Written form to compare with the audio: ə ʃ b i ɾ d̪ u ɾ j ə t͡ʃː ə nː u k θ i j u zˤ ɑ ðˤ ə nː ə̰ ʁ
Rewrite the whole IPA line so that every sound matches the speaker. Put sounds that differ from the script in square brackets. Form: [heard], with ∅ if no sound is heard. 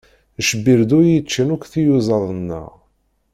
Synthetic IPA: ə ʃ b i ɾ d̪ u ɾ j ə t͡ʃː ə [n] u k θ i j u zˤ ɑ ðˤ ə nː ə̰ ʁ